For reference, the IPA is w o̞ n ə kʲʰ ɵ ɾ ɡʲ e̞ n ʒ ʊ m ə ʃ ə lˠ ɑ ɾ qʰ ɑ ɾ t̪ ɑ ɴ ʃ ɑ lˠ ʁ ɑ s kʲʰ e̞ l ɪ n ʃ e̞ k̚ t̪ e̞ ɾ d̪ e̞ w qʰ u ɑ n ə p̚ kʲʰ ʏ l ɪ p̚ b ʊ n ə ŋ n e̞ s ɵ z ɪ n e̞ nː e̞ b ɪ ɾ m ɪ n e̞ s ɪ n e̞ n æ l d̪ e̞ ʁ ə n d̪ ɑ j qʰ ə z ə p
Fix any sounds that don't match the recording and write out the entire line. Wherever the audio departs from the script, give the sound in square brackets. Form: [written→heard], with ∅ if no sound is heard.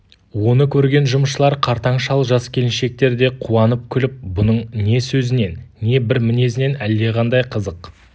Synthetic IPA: w o̞ n ə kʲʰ ɵ ɾ ɡʲ e̞ n ʒ ʊ m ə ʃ ə lˠ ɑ ɾ qʰ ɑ ɾ t̪ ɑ ɴ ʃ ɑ lˠ [ʁ→ʒ] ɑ s kʲʰ e̞ l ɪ n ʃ e̞ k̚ t̪ e̞ ɾ d̪ e̞ [w→∅] qʰ u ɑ n ə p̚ kʲʰ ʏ l ɪ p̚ b ʊ n ə [ŋ→ɴ] n e̞ s ɵ z ɪ n e̞ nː e̞ b ɪ ɾ m ɪ n e̞ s ɪ n e̞ n æ l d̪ e̞ ʁ [ə→ɑ] n d̪ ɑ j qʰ ə z ə [p→q]